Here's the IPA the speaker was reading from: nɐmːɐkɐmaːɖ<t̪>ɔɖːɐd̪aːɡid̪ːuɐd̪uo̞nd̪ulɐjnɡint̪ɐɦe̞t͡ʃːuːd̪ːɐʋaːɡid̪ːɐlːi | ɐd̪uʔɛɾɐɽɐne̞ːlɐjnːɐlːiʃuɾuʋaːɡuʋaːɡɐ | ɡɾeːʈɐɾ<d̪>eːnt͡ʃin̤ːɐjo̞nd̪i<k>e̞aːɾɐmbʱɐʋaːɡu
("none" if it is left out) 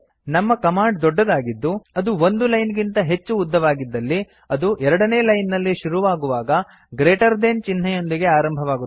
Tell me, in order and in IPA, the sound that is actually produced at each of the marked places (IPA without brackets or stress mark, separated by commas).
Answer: d̪, d̪, ɡ